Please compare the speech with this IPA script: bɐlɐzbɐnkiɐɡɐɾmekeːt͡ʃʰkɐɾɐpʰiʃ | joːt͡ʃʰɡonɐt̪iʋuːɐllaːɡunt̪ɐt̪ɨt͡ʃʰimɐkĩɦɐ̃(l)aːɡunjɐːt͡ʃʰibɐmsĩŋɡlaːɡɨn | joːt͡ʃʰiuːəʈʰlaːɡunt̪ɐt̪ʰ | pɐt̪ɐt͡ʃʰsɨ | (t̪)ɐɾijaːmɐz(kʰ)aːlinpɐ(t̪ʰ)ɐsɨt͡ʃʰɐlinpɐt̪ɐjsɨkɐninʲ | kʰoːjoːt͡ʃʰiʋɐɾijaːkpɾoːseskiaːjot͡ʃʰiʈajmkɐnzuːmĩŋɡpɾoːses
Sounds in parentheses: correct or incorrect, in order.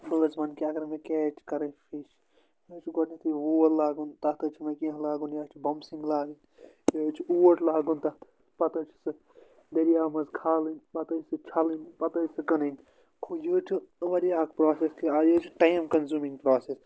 correct, incorrect: d̪, correct, incorrect: t̪

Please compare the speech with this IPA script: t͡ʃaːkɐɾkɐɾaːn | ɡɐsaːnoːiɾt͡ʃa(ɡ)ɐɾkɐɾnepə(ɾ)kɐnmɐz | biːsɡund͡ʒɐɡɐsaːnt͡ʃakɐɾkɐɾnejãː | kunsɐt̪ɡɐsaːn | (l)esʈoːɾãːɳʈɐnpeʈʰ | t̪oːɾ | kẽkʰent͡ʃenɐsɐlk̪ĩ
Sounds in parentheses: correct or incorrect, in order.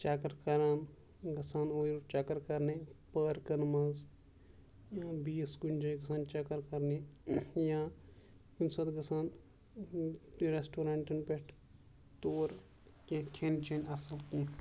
incorrect: k, correct, incorrect: ɾ

